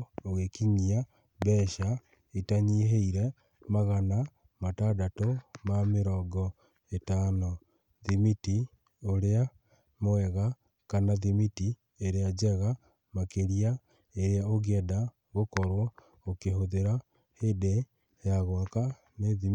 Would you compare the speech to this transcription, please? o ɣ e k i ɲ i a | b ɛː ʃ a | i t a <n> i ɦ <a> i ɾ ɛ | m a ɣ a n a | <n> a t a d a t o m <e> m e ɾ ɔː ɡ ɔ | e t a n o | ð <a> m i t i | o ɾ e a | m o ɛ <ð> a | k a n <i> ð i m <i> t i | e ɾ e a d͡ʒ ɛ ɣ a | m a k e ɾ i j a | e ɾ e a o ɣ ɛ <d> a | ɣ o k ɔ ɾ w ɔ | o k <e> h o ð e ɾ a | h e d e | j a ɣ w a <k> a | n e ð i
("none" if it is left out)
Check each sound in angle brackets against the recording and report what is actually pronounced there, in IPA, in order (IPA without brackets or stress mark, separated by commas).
ɲ, e, m, a, i, ɣ, a, i, d, e, k